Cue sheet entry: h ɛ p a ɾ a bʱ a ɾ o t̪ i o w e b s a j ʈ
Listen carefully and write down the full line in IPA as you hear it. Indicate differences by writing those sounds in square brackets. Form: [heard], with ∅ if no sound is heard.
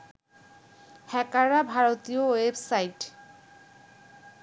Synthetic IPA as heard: h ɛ [k] a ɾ a bʱ a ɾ o t̪ i o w e b s a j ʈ